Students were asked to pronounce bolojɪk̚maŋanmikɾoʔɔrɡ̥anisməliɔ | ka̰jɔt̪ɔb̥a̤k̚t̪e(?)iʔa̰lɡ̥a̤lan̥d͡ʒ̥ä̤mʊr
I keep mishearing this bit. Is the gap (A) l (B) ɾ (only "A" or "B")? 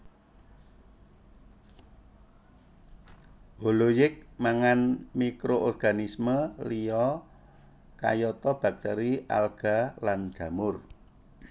B